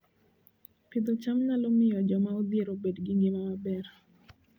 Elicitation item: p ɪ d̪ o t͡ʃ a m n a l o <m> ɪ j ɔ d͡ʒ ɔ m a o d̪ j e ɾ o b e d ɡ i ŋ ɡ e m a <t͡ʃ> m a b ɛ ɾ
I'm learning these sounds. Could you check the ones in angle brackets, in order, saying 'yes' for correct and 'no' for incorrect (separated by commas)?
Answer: yes, no